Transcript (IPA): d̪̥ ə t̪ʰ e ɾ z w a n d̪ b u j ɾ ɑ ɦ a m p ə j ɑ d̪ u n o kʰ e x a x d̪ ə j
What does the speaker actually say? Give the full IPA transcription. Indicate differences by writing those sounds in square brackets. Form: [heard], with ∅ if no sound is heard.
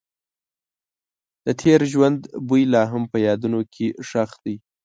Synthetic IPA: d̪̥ ə t̪ʰ e ɾ [ʒ] w a n d̪ b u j [l] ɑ ɦ a m p ə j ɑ d̪ u n o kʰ e [ʂ] a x d̪ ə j